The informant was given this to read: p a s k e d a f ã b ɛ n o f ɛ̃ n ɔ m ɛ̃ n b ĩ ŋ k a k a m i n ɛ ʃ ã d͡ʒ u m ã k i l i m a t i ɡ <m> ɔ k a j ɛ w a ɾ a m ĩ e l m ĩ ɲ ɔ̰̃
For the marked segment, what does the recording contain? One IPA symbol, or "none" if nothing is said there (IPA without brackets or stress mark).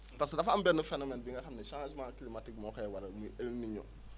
m